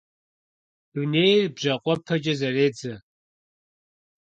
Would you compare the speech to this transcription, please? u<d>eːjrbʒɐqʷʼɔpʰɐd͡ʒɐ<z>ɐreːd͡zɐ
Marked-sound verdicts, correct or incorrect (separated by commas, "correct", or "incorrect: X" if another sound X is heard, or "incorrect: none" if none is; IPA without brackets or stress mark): incorrect: n, correct